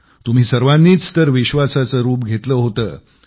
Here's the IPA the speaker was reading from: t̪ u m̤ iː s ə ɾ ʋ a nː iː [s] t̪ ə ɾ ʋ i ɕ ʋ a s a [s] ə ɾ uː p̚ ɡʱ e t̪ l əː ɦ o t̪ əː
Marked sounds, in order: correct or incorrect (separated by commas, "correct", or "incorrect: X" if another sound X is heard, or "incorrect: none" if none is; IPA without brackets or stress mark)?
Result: incorrect: t͡s, incorrect: t͡s